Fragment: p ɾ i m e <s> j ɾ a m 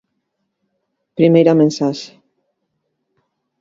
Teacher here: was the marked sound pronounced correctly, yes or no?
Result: no